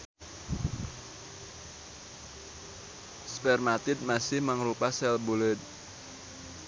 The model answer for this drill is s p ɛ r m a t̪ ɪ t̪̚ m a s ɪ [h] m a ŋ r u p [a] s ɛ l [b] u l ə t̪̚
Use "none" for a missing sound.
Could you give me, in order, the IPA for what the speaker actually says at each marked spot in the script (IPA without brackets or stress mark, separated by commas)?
h, a, b